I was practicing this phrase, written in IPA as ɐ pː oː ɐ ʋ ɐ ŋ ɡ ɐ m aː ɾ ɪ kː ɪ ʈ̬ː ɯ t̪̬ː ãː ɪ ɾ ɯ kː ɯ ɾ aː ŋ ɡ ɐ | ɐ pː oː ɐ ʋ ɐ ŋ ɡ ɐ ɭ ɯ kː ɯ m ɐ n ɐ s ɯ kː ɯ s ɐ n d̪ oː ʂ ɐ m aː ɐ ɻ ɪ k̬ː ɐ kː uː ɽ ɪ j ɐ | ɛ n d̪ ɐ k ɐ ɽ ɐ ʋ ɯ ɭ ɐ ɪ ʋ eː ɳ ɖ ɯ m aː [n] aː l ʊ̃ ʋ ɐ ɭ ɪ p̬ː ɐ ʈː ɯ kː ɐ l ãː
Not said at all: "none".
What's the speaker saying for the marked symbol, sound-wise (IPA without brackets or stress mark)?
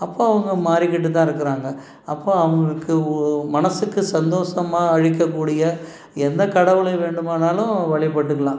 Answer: n